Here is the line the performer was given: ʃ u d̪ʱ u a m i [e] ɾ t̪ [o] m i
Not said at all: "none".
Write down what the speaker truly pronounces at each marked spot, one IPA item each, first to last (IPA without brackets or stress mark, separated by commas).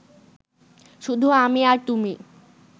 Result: a, u